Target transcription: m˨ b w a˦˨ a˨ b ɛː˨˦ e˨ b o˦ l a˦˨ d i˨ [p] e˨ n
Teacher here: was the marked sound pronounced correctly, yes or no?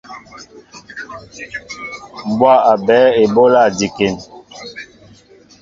no